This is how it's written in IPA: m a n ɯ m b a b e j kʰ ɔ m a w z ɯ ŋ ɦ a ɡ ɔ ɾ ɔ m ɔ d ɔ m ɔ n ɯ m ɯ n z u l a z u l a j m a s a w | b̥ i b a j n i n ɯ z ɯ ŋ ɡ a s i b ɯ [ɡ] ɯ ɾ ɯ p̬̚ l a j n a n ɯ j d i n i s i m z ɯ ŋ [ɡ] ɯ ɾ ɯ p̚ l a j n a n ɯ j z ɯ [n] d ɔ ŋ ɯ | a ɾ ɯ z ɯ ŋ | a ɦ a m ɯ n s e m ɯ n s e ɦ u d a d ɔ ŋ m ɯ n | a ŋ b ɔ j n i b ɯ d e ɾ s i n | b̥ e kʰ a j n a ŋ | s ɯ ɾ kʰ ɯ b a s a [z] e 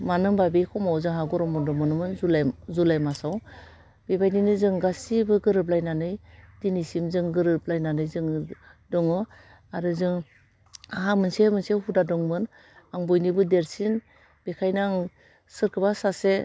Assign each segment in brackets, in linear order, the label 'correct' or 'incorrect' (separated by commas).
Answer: correct, correct, incorrect, incorrect